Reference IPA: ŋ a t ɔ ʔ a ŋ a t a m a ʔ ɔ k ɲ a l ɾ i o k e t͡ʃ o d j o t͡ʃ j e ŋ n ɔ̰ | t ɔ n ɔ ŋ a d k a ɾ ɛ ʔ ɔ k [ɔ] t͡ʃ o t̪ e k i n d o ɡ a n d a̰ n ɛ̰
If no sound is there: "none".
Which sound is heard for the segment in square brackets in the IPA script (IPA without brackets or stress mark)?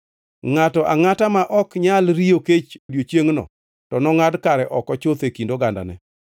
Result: ɔ